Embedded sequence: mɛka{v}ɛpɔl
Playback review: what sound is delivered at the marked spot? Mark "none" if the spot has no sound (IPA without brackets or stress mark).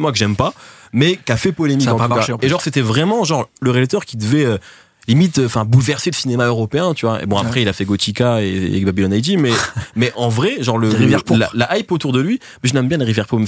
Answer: f